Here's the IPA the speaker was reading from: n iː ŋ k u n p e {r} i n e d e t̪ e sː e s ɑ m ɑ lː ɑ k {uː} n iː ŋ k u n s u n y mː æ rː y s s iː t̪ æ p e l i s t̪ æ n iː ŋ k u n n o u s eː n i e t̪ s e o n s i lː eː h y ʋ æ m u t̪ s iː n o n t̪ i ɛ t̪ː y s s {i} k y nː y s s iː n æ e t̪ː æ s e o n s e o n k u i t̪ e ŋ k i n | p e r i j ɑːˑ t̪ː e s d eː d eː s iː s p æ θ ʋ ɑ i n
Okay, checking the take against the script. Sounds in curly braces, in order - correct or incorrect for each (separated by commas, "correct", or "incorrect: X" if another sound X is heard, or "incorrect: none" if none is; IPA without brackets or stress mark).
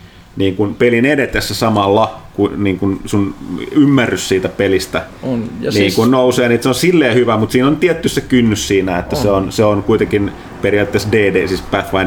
incorrect: l, incorrect: u, incorrect: e